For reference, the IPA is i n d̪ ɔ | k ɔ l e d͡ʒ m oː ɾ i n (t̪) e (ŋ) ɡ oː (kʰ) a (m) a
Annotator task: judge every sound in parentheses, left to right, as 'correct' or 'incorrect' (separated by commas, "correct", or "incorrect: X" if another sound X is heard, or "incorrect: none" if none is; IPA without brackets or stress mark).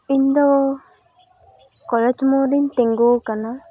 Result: correct, correct, incorrect: k, incorrect: n